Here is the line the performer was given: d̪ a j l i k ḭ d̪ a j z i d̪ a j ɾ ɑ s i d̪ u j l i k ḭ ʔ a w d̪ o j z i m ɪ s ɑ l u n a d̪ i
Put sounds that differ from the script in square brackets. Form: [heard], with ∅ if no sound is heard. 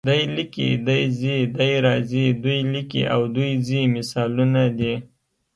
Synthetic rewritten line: d̪ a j l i k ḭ d̪ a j z i d̪ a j ɾ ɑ [z] i d̪ u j l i k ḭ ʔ a w d̪ [u] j z i m ɪ s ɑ l u n a d̪ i